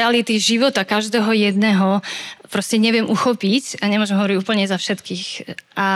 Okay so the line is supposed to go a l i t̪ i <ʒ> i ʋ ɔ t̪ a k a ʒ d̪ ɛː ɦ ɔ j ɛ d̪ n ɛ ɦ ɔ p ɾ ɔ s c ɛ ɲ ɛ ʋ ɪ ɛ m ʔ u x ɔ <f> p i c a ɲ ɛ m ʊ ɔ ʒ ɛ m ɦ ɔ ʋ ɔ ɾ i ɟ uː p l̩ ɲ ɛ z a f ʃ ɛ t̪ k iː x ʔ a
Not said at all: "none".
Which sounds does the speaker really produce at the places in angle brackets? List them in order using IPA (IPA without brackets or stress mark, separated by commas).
ʒ, none